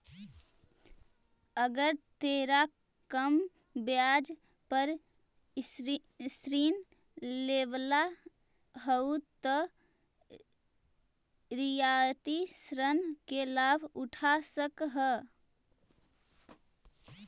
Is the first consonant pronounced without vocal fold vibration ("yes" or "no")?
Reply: no